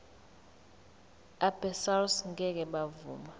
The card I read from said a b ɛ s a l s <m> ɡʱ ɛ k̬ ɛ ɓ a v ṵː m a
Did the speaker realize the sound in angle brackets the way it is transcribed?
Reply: no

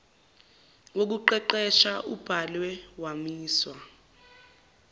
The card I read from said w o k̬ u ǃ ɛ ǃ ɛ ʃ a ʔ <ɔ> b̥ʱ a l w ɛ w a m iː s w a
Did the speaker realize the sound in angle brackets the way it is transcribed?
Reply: no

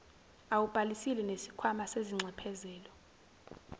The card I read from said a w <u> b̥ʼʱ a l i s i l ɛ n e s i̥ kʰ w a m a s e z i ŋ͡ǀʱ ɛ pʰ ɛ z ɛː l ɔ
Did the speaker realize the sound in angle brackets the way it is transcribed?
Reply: yes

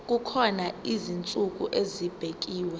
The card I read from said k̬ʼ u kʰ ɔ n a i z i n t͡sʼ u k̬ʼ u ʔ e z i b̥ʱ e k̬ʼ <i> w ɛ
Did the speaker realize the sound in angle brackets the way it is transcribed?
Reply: no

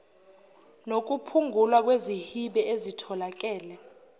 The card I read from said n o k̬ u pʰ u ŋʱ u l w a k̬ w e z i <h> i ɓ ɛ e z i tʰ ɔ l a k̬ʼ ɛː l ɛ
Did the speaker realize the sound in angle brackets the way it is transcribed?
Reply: yes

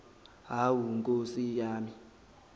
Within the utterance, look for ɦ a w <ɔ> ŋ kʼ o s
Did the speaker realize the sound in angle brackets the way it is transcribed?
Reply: no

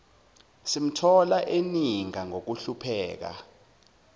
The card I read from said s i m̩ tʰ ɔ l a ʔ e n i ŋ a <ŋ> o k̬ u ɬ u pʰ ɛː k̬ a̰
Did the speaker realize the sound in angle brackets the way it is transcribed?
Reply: yes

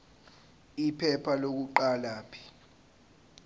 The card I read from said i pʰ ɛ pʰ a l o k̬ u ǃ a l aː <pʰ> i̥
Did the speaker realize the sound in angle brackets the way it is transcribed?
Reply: yes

